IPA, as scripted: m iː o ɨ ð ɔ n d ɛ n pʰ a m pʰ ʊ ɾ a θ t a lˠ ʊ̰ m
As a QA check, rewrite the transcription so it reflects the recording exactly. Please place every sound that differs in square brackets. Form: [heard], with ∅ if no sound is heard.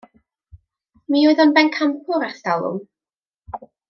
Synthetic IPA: m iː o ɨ ð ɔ n [b] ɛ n [kʰ] a m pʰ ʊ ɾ a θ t a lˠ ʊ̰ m